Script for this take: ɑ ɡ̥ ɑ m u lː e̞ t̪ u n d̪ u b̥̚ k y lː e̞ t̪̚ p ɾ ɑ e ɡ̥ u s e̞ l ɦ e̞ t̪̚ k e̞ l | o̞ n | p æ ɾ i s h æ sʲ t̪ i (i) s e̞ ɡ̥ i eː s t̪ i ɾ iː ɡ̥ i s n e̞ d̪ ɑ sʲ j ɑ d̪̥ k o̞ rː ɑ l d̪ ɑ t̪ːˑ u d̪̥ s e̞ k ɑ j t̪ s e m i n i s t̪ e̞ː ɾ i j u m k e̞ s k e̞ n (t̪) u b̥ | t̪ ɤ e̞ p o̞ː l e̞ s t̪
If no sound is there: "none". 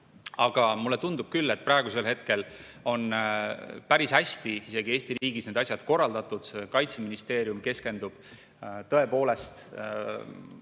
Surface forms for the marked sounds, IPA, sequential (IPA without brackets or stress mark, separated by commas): i, d̪